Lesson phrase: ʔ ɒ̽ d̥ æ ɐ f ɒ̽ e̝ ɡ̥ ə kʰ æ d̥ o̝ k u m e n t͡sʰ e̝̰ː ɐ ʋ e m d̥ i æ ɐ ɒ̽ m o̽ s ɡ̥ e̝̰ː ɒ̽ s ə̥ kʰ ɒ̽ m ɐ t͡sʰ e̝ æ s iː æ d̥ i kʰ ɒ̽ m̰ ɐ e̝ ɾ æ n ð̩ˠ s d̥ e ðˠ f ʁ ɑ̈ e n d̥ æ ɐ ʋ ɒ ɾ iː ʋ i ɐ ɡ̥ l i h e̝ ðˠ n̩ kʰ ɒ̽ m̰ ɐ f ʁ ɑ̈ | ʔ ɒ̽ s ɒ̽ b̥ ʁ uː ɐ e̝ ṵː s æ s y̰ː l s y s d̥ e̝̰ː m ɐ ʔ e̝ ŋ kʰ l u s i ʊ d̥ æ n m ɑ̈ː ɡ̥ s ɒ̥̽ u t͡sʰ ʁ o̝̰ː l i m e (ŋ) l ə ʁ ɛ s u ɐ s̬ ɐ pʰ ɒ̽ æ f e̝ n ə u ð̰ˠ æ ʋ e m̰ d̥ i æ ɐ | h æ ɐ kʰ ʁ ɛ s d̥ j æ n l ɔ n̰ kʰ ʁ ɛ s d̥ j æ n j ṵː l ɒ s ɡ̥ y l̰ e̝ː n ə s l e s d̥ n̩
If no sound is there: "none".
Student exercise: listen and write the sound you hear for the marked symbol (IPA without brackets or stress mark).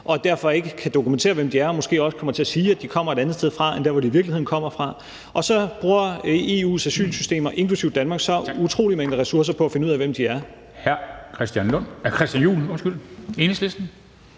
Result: ŋ